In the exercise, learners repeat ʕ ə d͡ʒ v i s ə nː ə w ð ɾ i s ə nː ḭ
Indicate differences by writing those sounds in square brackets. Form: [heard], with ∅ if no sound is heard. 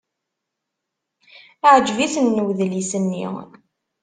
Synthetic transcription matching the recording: ʕ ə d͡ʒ v i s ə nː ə w ð [l] i s ə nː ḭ